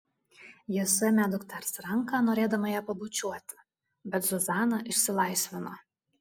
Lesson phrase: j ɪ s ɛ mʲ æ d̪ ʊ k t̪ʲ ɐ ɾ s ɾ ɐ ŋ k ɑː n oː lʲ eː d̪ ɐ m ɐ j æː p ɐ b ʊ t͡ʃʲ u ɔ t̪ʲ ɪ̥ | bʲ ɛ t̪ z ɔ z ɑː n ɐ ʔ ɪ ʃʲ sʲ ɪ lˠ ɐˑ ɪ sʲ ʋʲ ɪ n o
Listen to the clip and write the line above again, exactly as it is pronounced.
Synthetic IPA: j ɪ s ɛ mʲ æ d̪ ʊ k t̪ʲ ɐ ɾ s ɾ ɐ ŋ k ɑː n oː ɾʲ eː d̪ ɐ m ɐ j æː p ɐ b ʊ t͡ʃʲ u ɔ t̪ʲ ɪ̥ | bʲ ɛ t̪ z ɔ z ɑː n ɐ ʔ ɪ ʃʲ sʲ ɪ lˠ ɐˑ ɪ sʲ ʋʲ ɪ n o